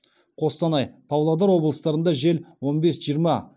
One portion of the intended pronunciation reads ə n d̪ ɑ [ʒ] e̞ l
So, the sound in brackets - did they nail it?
yes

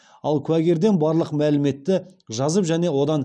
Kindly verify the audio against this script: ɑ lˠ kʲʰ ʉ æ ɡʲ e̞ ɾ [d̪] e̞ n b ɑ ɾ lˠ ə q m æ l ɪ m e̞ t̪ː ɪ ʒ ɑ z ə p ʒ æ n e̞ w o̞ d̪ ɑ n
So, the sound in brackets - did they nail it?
yes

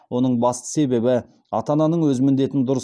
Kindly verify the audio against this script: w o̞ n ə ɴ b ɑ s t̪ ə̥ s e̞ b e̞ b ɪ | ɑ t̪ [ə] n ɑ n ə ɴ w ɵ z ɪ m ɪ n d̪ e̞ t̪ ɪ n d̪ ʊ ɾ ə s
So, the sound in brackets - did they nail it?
no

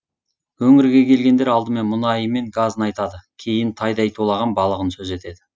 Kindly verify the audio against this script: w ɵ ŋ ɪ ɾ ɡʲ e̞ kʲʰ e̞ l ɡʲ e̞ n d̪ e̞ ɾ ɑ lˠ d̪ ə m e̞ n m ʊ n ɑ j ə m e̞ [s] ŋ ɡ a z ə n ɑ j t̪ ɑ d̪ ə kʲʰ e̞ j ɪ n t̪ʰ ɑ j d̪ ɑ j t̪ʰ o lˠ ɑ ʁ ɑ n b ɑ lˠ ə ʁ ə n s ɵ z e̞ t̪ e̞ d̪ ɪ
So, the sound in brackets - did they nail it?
no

